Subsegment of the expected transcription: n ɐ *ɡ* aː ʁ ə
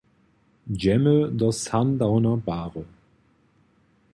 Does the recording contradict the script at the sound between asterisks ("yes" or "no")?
yes